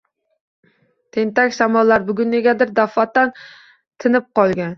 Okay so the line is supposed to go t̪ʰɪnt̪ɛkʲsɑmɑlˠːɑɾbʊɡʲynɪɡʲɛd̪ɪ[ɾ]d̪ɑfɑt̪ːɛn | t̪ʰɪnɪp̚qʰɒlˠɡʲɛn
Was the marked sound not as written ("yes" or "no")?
no